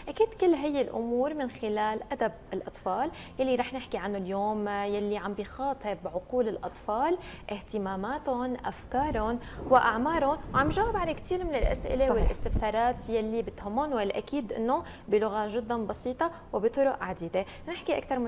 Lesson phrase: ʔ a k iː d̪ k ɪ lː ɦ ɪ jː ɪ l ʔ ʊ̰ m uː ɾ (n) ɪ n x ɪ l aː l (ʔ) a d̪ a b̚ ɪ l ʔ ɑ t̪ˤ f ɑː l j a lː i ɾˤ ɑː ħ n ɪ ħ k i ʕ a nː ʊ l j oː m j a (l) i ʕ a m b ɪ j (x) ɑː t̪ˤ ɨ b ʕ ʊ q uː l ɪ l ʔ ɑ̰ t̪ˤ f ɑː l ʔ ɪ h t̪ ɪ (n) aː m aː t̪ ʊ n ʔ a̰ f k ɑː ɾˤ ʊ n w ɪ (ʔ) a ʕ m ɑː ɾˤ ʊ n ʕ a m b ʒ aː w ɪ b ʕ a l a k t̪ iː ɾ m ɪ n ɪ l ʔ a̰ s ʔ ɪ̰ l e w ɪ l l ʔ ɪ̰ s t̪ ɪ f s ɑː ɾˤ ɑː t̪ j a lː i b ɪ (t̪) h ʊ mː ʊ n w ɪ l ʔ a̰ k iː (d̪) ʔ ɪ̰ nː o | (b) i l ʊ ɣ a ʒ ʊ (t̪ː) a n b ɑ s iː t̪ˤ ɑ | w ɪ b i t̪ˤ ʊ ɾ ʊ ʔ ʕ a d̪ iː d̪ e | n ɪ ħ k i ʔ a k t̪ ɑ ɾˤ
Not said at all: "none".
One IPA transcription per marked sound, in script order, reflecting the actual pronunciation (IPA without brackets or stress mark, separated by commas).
m, ʔ, lː, x, m, ʔ, t̪, d̪, b, d̪ː